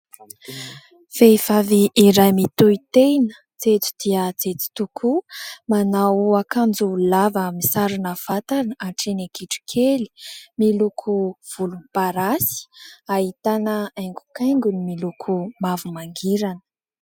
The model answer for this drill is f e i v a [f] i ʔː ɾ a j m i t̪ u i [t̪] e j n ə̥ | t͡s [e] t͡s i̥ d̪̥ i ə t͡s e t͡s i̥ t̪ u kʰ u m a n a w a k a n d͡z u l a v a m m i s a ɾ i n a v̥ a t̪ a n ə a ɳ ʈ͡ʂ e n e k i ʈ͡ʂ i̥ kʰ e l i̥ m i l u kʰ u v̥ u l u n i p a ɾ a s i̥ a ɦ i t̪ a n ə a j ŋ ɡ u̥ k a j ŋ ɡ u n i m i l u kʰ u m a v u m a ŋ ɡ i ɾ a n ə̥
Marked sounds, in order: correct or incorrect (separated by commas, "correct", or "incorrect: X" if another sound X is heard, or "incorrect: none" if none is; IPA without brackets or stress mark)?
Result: incorrect: v, correct, correct